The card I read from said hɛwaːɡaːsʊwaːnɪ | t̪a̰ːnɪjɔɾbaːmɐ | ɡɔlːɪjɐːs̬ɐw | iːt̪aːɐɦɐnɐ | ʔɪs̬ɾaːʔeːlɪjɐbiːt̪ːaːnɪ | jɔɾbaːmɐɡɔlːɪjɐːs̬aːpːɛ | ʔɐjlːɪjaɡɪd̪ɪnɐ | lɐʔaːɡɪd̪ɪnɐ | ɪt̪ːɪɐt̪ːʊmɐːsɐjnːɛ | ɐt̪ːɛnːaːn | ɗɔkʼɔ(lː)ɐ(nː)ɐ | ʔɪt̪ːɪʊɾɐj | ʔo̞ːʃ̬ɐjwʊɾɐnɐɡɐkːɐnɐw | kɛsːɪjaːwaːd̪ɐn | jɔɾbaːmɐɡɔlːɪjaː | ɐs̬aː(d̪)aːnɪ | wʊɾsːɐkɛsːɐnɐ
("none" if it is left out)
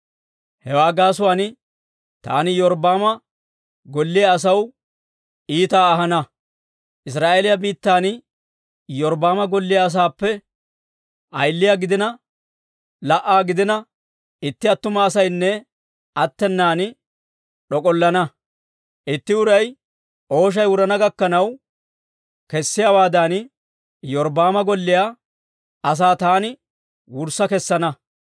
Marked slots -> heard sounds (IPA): lː, n, t̪

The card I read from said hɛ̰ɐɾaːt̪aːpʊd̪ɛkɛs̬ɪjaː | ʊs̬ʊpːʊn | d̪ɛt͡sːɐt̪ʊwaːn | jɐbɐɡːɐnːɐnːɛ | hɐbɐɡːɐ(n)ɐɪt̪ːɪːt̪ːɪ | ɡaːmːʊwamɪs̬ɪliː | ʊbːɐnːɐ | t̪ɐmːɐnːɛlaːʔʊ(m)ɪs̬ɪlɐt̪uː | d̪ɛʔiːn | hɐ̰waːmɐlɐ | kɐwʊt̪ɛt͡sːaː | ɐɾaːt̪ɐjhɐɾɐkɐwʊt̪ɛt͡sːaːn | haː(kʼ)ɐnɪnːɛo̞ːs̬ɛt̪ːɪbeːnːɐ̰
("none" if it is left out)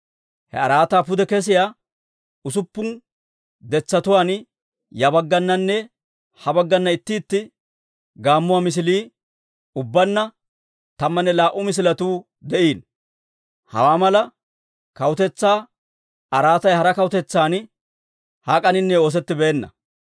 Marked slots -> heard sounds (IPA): nː, m, kʼ

